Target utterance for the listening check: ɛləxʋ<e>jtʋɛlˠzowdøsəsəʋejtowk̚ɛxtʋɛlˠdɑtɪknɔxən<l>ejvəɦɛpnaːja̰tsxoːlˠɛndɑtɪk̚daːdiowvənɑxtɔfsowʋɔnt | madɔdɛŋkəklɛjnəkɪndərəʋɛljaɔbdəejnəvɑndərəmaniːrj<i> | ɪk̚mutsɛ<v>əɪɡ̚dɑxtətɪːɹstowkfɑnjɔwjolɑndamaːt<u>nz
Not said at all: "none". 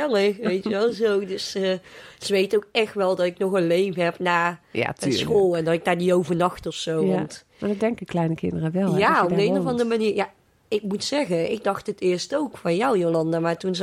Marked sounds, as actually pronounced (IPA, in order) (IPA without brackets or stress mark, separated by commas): e, l, a, ɣ, u